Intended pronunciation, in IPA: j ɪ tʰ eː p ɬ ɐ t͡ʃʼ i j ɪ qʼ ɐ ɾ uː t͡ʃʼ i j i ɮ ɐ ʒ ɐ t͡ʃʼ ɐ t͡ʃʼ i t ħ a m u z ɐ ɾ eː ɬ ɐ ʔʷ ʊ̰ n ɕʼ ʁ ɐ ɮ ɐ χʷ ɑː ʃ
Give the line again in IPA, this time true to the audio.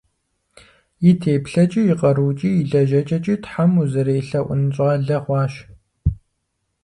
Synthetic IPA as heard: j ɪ tʰ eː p ɬ ɐ t͡ʃʼ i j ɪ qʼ ɐ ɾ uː t͡ʃʼ i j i ɮ ɐ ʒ ɐ t͡ʃʼ ɐ t͡ʃʼ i t ħ a m u z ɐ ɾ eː ɬ ɐ ʔʷ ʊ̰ n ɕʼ ʁ ɐ ɮ ɐ χʷ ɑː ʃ